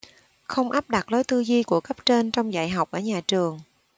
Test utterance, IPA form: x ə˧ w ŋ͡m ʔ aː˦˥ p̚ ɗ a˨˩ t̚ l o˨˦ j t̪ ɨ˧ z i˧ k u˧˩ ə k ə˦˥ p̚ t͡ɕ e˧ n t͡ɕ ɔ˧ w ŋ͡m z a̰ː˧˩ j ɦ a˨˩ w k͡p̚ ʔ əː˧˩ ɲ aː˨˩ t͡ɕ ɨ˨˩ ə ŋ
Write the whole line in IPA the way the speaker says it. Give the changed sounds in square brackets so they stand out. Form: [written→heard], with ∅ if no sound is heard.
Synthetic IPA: x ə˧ w ŋ͡m ʔ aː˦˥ p̚ ɗ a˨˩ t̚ l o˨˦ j t̪ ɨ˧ z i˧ k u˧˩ ə k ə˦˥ p̚ t͡ɕ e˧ n t͡ɕ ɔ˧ w ŋ͡m z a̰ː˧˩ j ɦ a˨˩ w k͡p̚ ʔ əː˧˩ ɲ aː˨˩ t͡ɕ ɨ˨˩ ə ŋ